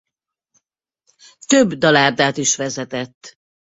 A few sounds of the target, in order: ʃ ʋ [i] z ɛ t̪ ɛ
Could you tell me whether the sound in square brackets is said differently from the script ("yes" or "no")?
yes